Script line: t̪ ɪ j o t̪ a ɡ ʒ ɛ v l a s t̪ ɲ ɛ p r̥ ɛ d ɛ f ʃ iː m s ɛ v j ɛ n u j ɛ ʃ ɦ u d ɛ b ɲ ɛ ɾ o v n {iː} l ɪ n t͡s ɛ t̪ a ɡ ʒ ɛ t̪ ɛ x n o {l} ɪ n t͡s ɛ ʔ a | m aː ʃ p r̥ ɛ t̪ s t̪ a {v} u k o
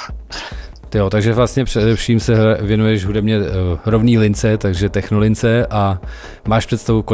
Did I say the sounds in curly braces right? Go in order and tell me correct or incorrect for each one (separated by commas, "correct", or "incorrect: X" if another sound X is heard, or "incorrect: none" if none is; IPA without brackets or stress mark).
correct, correct, correct